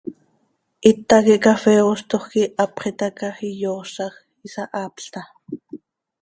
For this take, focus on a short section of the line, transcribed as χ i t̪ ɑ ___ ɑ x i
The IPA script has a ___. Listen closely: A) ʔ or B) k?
B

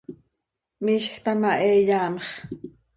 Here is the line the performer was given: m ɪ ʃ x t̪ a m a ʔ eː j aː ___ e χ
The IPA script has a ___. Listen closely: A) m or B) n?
A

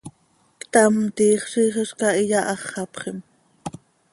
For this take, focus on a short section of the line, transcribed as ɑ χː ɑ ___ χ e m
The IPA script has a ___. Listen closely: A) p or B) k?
A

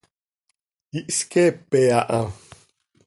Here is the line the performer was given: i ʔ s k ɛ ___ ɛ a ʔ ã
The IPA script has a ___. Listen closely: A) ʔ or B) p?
B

